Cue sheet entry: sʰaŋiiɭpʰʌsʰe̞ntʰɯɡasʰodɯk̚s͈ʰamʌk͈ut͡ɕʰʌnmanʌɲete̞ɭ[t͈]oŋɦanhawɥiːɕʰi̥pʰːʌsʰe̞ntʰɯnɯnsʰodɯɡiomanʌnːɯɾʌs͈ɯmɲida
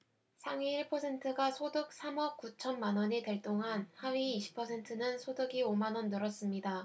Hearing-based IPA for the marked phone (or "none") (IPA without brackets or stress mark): t͈